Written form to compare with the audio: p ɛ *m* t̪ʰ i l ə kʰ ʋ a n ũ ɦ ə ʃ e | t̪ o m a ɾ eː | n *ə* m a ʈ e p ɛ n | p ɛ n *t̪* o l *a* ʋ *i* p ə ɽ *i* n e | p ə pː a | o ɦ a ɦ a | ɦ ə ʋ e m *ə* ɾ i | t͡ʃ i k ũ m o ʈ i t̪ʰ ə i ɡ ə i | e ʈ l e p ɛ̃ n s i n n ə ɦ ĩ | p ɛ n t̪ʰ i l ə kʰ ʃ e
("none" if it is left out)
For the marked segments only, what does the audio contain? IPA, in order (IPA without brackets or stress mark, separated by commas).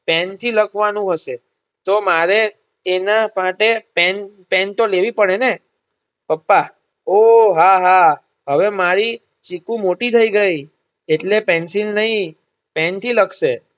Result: n, a, t̪, e, i, e, a